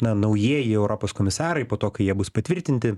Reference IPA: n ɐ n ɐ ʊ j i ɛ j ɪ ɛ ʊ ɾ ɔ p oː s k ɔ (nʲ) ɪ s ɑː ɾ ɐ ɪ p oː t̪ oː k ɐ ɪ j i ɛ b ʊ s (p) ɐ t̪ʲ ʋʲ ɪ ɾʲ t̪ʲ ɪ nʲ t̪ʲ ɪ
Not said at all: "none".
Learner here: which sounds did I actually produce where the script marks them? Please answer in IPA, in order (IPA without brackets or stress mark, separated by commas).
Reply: mʲ, p